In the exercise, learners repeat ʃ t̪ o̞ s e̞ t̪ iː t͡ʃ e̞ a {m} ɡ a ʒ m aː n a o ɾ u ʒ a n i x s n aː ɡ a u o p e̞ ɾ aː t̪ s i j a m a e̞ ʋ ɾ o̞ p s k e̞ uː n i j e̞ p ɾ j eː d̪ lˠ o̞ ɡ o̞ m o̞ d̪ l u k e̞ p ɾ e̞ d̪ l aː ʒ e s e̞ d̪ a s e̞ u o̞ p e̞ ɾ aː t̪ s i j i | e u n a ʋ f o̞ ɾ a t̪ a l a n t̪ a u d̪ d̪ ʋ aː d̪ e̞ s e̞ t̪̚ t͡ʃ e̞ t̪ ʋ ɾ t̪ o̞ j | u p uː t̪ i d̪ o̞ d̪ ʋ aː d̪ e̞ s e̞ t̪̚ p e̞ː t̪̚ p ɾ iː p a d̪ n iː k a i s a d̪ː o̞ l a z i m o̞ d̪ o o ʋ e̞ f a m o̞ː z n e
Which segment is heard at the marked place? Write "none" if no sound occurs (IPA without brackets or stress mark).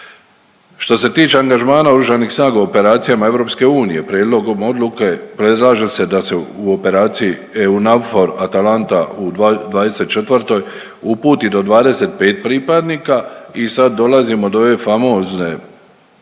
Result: ŋ